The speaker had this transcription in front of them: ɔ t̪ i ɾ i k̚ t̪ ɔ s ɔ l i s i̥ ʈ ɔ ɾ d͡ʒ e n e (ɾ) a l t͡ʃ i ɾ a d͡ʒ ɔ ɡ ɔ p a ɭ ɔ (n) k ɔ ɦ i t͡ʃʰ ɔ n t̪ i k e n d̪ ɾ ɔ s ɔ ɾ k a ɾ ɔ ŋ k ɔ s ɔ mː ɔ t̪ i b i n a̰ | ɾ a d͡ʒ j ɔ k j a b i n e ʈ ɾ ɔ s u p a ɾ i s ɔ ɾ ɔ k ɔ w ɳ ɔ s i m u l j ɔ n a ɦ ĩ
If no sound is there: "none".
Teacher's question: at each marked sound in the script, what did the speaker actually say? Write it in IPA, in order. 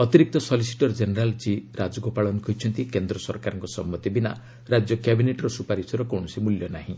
ɾ, n

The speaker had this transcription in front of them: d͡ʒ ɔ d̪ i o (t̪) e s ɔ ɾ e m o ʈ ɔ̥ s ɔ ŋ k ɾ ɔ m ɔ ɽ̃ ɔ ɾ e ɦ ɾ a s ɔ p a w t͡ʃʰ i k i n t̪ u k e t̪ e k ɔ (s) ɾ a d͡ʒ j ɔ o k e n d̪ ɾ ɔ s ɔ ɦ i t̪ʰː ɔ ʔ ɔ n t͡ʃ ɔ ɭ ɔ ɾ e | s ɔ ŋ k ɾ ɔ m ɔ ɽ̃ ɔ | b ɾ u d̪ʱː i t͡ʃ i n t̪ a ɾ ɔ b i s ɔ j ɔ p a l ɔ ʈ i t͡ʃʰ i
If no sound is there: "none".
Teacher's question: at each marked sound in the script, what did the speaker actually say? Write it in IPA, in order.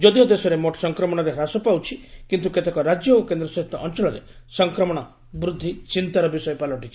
d̪, none

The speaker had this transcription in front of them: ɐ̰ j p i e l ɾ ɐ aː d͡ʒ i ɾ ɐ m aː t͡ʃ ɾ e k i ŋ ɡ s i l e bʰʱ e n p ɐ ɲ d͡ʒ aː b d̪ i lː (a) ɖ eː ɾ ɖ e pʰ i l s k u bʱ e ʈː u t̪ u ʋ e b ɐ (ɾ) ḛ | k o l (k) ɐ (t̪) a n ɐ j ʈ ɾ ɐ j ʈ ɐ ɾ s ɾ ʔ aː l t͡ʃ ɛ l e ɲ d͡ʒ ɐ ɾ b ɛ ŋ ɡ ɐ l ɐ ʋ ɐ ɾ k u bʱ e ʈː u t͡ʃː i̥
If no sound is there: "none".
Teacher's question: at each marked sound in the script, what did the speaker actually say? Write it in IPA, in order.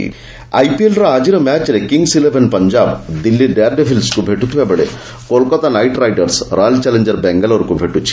i, ɭ, k, t̪

